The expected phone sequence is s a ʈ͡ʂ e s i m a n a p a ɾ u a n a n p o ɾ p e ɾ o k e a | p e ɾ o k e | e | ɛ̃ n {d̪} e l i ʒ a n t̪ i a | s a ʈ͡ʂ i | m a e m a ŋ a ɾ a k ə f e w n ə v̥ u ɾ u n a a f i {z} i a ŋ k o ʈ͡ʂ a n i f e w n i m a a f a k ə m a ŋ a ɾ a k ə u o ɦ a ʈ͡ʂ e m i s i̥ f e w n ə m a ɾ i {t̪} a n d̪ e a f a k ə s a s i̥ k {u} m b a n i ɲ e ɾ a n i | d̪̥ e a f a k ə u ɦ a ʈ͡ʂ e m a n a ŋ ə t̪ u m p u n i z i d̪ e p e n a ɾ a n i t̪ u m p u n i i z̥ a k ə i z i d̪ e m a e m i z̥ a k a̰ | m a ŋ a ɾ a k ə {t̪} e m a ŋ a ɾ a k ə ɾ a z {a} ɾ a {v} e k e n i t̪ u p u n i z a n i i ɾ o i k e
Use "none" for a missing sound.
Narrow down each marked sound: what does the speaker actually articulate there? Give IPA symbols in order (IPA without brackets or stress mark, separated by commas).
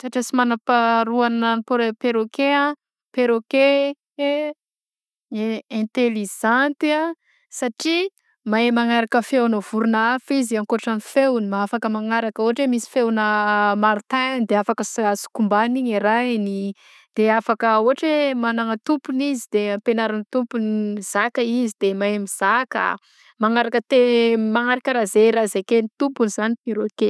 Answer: t̪, z, t̪, u, t̪, e, z